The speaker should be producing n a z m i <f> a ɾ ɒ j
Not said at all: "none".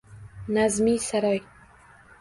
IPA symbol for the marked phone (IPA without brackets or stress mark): s